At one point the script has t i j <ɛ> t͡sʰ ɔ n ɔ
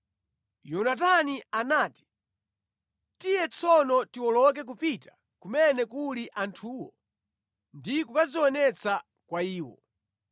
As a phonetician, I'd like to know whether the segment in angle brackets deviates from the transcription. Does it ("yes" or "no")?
no